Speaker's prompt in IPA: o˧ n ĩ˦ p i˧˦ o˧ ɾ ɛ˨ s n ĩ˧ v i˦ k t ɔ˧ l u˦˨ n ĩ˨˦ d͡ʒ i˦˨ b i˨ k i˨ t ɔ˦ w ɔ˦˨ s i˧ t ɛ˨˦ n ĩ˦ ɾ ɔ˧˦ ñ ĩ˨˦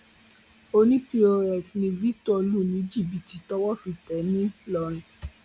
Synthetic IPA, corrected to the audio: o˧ n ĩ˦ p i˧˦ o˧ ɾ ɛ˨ s n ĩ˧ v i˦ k t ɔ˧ l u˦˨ n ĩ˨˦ d͡ʒ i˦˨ b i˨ t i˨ t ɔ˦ w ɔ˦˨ f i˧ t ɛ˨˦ n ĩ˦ l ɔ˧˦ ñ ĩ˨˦